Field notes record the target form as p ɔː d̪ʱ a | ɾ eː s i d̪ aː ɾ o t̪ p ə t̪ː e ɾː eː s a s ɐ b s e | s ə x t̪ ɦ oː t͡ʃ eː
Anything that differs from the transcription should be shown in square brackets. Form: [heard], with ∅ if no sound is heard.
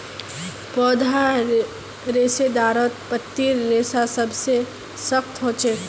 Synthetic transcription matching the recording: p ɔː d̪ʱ a | ɾ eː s [e] d̪ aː ɾ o t̪ p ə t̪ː [i] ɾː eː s a s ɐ b s e | s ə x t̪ ɦ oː t͡ʃ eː